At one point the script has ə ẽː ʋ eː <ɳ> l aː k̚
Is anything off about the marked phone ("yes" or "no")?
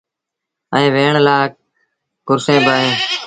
no